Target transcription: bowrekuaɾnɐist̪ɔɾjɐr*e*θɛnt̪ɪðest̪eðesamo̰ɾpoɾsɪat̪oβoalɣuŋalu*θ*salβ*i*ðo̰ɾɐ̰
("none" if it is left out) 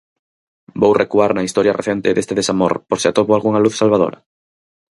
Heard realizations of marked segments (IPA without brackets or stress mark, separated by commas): e, θ, a